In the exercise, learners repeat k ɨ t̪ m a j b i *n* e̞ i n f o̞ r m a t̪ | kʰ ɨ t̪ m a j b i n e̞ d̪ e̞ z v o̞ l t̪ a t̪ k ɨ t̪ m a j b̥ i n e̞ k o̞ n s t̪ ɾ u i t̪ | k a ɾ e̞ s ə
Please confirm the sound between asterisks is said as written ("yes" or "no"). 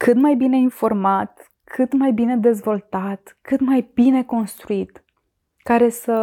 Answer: yes